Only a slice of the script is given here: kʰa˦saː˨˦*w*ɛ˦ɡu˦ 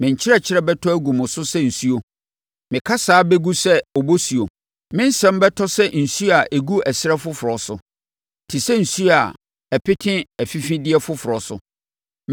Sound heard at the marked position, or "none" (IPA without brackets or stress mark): b